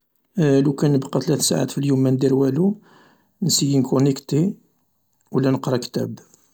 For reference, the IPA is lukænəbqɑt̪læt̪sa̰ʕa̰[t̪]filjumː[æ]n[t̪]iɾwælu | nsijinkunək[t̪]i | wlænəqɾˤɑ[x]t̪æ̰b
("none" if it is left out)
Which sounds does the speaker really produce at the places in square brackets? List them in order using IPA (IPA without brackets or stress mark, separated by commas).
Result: t̪, æ, d̪, t̪, k